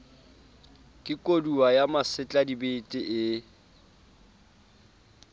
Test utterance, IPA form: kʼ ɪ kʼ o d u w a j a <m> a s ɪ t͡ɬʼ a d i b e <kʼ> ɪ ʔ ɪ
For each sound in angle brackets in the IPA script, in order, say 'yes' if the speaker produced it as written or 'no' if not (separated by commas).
yes, no